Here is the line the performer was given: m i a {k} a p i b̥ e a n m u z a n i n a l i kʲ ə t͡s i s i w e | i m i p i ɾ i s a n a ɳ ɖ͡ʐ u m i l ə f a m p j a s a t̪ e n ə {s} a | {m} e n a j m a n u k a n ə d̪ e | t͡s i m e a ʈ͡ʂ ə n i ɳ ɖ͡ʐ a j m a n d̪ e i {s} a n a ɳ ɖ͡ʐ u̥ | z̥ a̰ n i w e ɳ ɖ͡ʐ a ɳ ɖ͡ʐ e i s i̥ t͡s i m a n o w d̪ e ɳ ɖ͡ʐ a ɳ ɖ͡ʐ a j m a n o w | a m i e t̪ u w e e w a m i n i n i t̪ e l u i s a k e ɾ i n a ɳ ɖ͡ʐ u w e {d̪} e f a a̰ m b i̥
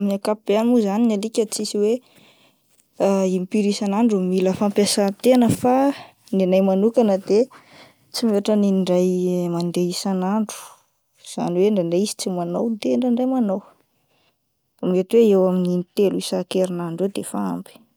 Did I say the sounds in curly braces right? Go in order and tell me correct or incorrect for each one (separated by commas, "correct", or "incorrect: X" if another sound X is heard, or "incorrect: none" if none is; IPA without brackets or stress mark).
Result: correct, incorrect: f, incorrect: n, correct, correct